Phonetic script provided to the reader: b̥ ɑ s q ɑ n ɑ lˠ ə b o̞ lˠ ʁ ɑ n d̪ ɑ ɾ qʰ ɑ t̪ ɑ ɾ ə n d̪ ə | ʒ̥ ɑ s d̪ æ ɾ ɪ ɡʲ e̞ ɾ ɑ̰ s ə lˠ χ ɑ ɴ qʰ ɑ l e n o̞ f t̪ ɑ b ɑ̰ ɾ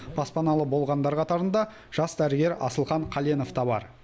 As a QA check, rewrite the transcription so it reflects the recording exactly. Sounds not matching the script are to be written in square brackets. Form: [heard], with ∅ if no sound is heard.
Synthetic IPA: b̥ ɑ s [p] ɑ n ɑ lˠ ə b o̞ lˠ ʁ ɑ n d̪ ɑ ɾ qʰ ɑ t̪ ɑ ɾ ə n d̪ [ɑ] | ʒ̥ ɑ s d̪ æ ɾ ɪ ɡʲ e̞ ɾ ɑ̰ s ə lˠ χ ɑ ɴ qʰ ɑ l e n o̞ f t̪ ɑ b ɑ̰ ɾ